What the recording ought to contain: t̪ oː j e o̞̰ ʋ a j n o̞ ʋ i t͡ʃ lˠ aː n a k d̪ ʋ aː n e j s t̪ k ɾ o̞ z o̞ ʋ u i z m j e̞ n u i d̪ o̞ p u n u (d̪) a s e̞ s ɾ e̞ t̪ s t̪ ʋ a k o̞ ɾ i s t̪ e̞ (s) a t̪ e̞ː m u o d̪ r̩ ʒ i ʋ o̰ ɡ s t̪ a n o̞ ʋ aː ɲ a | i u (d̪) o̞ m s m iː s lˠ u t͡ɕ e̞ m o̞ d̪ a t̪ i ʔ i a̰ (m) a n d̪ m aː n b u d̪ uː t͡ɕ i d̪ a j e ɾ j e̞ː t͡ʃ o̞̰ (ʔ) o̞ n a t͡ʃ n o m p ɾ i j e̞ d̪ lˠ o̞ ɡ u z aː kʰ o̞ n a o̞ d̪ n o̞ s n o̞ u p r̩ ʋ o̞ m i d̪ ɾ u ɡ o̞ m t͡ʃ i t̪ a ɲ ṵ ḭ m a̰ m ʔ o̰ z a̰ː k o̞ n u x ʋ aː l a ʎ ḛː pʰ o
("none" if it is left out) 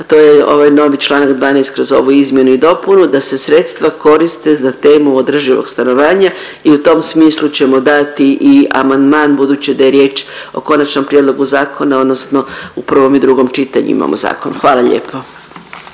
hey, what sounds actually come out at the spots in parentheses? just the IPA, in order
d̪, z, t̪, m, k

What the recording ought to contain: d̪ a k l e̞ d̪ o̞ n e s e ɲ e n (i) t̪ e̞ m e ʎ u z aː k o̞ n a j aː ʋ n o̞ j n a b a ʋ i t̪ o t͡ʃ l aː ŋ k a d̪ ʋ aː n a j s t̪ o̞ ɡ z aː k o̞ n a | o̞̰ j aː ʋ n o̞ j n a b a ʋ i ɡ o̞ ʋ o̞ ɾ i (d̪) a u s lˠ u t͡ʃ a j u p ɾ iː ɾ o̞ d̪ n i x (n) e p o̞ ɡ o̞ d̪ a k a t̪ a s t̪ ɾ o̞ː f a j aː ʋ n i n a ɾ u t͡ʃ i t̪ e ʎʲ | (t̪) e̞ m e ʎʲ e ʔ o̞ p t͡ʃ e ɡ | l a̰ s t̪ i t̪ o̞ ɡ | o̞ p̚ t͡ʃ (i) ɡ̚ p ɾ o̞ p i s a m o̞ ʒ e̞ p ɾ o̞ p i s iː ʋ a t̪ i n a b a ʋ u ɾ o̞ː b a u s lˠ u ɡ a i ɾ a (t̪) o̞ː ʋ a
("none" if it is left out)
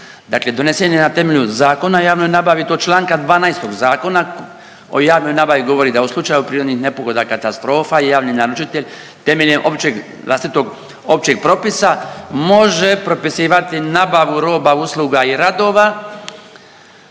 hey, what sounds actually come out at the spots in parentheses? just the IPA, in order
a, d̪, n, t̪, e, d̪

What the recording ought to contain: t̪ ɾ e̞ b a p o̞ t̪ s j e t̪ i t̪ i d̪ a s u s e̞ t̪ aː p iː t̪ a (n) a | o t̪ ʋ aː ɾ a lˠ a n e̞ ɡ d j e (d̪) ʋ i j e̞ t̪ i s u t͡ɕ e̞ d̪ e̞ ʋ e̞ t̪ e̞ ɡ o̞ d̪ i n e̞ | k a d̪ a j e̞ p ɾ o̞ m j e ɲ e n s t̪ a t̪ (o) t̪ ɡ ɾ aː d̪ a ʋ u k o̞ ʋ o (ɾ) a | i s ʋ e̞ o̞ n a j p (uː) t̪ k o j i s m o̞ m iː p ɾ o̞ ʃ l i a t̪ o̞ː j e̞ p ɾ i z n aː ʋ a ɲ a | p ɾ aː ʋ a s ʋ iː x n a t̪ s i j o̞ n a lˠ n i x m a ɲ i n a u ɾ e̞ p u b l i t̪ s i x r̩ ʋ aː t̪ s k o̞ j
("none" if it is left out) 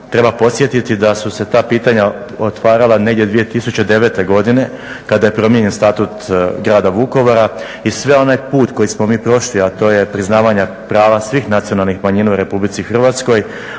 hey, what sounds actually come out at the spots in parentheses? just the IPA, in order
ɲ, d̪, u, ɾ, uː

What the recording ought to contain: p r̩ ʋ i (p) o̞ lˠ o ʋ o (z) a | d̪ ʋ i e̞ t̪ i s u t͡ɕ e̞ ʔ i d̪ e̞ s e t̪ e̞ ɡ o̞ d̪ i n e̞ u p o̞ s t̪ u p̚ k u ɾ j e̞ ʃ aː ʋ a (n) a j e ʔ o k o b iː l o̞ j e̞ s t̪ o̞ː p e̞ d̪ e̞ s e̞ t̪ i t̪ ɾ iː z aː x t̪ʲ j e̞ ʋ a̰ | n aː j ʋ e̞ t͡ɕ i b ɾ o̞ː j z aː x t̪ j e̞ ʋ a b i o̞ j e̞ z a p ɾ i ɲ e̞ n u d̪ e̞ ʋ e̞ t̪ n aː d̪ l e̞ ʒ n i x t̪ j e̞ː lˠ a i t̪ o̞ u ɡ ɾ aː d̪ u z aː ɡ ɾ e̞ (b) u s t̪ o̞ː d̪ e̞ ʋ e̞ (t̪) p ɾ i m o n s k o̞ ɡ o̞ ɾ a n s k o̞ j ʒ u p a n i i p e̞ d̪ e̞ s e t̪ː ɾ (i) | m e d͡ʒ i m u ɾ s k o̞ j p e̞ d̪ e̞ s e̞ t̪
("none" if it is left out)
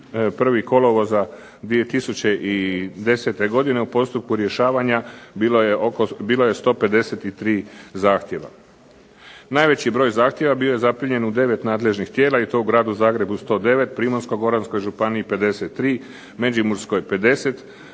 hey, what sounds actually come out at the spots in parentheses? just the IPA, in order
k, z, ɲ, b, t̪, iː

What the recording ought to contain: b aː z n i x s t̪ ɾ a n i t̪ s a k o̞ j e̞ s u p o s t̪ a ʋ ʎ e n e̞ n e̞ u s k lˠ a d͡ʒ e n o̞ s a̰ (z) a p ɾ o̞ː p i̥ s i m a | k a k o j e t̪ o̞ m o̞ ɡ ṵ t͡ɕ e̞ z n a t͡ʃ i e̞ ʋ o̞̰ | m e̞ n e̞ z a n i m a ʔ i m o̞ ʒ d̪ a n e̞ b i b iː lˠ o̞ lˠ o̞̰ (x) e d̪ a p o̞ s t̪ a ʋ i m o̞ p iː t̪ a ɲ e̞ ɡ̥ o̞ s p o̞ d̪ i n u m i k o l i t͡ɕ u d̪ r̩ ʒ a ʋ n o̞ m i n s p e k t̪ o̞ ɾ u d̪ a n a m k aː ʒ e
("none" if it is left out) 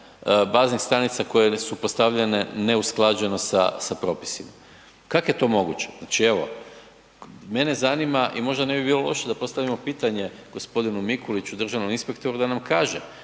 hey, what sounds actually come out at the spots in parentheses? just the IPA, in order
s, ʃ

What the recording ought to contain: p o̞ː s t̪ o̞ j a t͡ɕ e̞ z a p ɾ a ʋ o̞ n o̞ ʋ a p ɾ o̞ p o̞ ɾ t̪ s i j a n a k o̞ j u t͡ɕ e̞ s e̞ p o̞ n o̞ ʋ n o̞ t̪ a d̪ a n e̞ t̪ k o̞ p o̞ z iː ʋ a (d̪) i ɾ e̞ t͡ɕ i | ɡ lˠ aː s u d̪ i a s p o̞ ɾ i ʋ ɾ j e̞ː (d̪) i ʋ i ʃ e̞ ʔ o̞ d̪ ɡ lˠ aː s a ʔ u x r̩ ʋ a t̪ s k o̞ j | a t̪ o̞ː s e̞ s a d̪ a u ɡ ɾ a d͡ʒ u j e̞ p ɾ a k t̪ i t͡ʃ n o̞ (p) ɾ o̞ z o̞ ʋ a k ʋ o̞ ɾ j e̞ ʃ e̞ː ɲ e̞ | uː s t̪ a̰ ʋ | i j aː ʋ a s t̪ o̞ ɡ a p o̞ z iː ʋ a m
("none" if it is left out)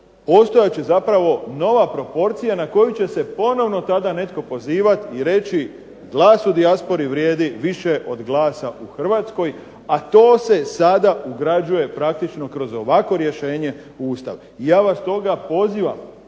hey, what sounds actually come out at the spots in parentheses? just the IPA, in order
t̪, d̪, k

